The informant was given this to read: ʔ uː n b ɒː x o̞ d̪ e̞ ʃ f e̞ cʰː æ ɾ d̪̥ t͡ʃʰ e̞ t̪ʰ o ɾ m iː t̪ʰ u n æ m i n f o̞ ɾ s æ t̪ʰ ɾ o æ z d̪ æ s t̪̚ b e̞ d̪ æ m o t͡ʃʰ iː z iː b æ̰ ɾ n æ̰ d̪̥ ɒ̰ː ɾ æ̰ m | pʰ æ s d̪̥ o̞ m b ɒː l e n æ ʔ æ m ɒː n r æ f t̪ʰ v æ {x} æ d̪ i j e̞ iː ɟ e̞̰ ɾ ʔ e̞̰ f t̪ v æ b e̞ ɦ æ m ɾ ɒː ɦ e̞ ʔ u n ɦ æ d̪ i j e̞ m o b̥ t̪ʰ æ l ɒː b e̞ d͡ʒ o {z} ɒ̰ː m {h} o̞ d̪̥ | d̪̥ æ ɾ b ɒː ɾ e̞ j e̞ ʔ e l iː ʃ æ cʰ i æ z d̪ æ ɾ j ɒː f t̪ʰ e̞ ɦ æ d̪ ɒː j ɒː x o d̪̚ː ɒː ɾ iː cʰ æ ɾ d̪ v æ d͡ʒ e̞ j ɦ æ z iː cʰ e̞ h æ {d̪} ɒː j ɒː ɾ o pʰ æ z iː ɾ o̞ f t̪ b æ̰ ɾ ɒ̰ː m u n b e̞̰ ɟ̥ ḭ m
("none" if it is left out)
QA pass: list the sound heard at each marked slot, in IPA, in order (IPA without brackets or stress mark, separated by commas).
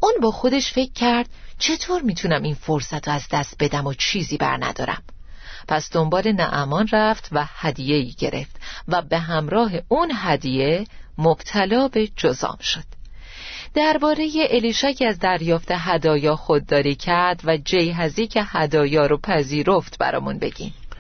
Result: h, z, ʃ, d̪